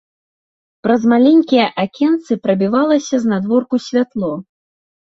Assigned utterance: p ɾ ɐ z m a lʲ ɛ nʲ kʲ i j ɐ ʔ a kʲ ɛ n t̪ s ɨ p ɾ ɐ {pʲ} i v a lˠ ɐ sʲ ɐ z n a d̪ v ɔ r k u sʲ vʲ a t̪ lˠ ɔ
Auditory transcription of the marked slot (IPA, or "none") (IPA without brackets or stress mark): bʲ